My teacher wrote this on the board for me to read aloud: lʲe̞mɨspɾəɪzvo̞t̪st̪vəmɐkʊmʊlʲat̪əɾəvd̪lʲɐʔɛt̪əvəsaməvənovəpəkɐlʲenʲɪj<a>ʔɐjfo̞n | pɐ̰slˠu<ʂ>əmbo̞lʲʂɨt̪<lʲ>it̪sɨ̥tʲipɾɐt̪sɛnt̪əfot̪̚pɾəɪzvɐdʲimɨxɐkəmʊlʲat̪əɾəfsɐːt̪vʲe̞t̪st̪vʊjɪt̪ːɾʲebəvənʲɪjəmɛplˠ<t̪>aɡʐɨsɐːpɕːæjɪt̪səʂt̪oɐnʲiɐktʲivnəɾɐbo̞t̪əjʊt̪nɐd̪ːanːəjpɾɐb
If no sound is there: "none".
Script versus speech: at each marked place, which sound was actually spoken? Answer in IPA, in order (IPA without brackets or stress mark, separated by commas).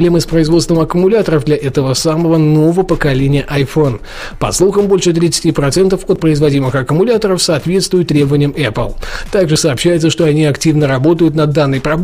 ə, x, ɾʲ, t̪